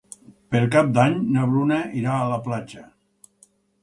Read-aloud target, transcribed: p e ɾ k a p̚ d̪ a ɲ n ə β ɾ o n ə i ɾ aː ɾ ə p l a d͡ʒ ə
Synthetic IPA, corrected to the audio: p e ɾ k a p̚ d̪ a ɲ n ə β ɾ u n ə i ɾ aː l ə p l a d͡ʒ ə